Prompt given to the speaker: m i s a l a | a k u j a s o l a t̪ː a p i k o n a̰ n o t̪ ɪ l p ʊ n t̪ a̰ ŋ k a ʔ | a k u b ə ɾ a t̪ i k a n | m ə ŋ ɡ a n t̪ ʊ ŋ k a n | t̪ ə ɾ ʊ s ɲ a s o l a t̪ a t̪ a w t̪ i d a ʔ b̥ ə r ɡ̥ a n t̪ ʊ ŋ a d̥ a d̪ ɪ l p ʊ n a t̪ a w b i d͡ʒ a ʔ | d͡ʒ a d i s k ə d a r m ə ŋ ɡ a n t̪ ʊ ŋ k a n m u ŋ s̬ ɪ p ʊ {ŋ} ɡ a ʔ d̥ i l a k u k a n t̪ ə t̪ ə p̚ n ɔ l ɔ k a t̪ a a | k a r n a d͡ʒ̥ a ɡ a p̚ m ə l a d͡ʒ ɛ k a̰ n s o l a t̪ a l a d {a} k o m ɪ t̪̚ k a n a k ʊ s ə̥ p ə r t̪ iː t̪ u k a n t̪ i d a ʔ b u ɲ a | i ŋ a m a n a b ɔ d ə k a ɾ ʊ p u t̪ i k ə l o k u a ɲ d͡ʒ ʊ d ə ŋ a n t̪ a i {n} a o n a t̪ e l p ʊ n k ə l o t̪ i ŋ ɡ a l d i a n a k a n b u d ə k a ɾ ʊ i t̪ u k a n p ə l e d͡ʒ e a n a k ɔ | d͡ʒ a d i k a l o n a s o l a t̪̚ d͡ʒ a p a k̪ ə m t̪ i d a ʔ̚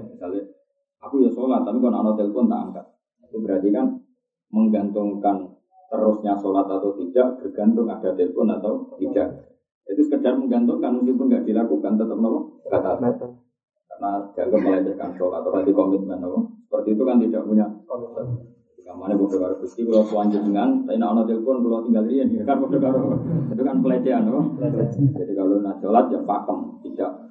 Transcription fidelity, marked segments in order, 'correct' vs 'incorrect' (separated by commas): incorrect, incorrect, correct